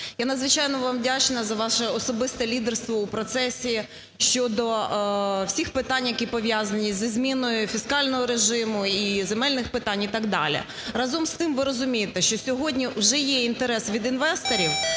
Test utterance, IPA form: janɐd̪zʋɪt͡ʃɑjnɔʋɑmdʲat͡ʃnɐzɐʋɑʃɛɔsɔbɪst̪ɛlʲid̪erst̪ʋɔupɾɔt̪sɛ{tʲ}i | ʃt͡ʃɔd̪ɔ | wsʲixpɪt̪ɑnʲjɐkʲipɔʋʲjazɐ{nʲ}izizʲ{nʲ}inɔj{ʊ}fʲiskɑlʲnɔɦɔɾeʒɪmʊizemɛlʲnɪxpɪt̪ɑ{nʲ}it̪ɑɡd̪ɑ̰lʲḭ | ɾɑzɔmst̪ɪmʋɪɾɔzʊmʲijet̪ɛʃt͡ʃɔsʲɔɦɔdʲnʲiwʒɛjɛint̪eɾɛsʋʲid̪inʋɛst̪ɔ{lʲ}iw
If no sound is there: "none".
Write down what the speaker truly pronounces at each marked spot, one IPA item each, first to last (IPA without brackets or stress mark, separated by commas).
sʲ, nʲ, mʲ, ʊ, nʲ, ɾʲ